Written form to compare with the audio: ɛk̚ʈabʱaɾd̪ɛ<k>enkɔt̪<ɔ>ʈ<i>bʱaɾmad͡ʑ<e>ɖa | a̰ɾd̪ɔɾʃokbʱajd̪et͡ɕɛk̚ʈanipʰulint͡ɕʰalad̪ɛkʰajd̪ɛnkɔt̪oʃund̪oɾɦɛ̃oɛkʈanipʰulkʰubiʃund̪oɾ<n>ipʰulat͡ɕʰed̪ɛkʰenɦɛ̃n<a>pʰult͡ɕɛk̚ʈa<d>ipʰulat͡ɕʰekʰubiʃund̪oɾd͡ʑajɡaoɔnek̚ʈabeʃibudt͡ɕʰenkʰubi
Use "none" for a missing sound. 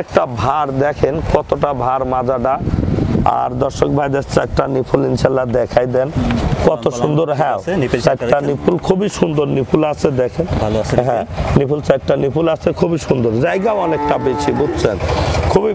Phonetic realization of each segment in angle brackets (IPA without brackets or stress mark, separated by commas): kʰ, o, a, a, n, i, n